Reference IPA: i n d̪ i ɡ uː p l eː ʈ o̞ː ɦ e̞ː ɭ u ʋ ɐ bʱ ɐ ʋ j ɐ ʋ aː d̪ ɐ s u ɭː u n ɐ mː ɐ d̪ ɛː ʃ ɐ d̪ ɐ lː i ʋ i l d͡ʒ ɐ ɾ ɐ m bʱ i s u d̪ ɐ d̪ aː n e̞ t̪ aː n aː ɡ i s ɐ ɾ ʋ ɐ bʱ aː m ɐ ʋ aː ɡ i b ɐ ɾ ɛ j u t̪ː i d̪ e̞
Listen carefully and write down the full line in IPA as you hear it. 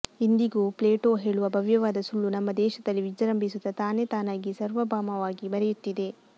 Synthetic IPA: i n d̪ i ɡ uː p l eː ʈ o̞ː ɦ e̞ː ɭ u ʋ ɐ bʱ ɐ ʋ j ɐ ʋ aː d̪ ɐ s u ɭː u n ɐ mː ɐ d̪ ɛː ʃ ɐ d̪ ɐ lː i ʋ i d͡ʒ ɐ ɾ ɐ m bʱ i s u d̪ ɐ t̪ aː n e̞ t̪ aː n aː ɡ i s ɐ ɾ ʋ ɐ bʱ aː m ɐ ʋ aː ɡ i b ɐ ɾ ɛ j u t̪ː i d̪ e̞

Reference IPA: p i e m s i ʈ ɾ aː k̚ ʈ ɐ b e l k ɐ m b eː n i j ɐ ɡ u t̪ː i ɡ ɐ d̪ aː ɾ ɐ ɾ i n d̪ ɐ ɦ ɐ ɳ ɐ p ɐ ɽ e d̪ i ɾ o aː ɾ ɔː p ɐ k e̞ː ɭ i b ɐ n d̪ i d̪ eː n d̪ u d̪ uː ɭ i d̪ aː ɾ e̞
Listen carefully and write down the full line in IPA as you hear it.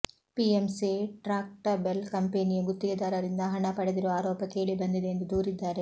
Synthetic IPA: p i e m s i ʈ ɾ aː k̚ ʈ ɐ b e l k ɐ m p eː n i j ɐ ɡ u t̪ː i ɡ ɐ d̪ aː ɾ ɐ ɾ i n d̪ ɐ ɦ ɐ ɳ ɐ p ɐ ɽ e d̪ i ɾ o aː ɾ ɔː p ɐ k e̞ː ɭ i b ɐ n d̪ i d̪ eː n d̪ u d̪ uː ɾ i d̪ː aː ɾ e̞

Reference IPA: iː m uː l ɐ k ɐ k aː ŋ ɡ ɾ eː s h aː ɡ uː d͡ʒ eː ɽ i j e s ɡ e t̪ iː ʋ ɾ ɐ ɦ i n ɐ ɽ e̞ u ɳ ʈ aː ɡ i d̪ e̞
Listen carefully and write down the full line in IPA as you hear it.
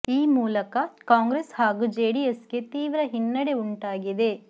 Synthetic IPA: iː m uː l ɐ k ɐ k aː ŋ ɡ ɾ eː s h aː ɡ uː d͡ʒ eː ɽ i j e s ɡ e t̪ iː ʋ ɾ ɐ ɦ i nː ɐ ɽ e̞ u ɳ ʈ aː ɡ i d̪ e̞

